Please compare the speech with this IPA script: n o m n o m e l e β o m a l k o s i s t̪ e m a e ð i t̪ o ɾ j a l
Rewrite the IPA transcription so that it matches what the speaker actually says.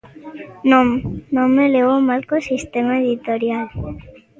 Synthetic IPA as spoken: n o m n o m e l e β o m a l k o s i s t̪ e m a e ð i t̪ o ɾ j a l